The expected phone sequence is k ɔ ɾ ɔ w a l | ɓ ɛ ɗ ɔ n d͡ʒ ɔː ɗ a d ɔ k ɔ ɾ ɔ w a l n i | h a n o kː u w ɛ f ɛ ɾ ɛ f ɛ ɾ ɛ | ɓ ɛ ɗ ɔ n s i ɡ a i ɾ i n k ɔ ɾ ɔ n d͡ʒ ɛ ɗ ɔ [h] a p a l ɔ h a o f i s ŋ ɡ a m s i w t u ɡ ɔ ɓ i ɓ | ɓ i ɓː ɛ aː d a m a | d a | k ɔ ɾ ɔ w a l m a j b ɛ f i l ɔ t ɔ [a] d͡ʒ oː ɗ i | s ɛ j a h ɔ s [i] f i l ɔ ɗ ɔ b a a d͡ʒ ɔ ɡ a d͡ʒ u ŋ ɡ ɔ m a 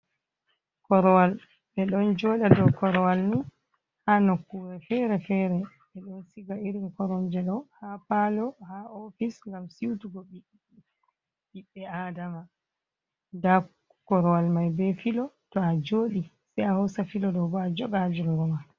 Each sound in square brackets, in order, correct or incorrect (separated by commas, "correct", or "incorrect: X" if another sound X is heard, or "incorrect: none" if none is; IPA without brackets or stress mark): correct, correct, incorrect: a